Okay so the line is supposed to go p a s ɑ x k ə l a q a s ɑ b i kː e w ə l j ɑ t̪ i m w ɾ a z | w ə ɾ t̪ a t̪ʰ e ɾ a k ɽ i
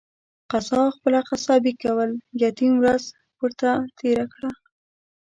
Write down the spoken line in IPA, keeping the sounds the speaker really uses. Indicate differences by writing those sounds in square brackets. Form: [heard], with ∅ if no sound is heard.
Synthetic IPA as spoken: [q] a s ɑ x [p] ə l a q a s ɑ b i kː [a] w ə l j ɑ t̪ i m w ɾ a z | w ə ɾ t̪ a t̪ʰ e ɾ a k ɽ [a]